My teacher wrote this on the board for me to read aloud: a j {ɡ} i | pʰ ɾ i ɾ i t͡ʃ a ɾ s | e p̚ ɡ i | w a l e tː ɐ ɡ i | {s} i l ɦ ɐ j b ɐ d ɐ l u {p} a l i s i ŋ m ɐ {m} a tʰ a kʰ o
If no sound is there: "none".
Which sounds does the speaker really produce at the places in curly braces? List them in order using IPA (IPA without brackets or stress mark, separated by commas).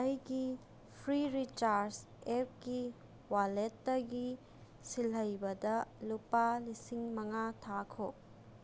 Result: ɡ, s, p, ŋ